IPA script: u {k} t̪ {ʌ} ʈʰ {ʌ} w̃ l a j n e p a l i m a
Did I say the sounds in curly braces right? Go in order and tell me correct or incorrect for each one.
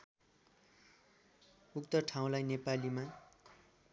correct, correct, incorrect: a

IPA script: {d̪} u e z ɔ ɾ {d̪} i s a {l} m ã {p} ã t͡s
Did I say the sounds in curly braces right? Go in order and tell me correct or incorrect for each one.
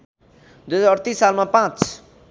correct, incorrect: t̪, correct, correct

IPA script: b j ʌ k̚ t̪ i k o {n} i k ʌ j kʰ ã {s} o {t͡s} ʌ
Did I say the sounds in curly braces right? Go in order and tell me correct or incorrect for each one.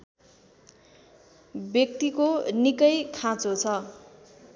correct, incorrect: t͡s, incorrect: t͡sʰ

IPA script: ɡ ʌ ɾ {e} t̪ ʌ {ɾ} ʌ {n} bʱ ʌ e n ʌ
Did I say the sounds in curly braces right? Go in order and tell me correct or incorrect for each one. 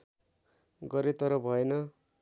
correct, correct, incorrect: none

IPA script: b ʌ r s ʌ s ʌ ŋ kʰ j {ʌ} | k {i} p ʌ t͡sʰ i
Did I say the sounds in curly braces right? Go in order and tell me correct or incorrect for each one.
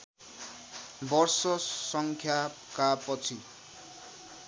incorrect: a, incorrect: a

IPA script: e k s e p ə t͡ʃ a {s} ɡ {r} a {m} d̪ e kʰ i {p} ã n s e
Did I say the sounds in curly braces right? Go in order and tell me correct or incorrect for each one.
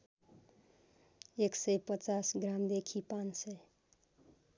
correct, incorrect: ɾ, correct, correct

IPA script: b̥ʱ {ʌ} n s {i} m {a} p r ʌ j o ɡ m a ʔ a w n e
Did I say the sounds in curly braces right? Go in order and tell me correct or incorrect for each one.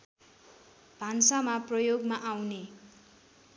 incorrect: a, incorrect: a, correct

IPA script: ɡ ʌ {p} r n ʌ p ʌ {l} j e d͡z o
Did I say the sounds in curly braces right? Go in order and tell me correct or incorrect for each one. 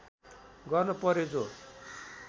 incorrect: none, incorrect: ɾ

